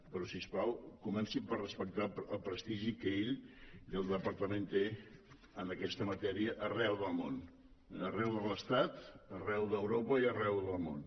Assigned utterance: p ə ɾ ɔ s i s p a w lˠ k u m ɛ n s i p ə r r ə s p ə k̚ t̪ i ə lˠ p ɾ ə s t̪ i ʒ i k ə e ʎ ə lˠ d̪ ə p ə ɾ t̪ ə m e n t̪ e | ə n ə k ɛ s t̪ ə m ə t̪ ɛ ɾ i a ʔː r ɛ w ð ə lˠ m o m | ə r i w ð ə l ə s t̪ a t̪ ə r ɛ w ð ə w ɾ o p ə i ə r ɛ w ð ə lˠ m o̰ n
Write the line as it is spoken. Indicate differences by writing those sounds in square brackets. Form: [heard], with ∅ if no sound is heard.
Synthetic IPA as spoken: p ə ɾ ɔ s i s p a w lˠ k u m ɛ n s i p ə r r ə s p ə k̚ t̪ [a] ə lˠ p ɾ ə s t̪ i ʒ i k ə e ʎ ə lˠ d̪ ə p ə ɾ t̪ ə m e n t̪ e | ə n ə k ɛ s t̪ ə m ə t̪ ɛ ɾ i [ə] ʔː r ɛ w ð ə lˠ m o [n] | ə r [ɛ] w ð ə l ə s t̪ a t̪ ə r ɛ w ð ə w ɾ o p ə i ə r ɛ w ð ə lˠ m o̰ n